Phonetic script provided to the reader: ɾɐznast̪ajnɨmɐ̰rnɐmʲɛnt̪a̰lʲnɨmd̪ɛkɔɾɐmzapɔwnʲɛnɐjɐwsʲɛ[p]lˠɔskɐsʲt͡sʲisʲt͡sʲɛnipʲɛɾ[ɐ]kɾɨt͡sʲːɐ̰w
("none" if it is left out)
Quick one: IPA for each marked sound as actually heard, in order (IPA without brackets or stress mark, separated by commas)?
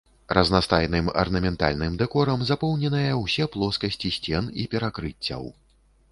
p, a